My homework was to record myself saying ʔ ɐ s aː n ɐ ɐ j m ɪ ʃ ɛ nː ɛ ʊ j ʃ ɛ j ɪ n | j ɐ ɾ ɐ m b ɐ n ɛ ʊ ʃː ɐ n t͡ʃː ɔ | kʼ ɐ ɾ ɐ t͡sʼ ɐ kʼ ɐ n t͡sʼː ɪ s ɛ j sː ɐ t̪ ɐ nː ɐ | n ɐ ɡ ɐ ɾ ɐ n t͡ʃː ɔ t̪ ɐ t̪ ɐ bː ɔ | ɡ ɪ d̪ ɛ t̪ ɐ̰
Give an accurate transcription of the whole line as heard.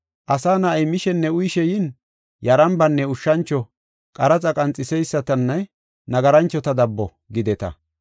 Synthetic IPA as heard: ʔ ɐ s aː n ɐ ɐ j m ɪ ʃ ɛ nː ɛ ʊ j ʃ ɛ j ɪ n | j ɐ ɾ ɐ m b ɐ nː ɛ ʊ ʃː ɐ n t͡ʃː ɔ | kʼ ɐ ɾ ɐ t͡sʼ ɐ kʼ ɐ n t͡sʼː ɪ s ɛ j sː ɐ t̪ ɐ nː ɐ | n ɐ ɡ ɐ ɾ ɐ n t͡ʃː ɔ t̪ ɐ d̪ ɐ bː ɔ | ɡ ɪ d̪ ɛ t̪ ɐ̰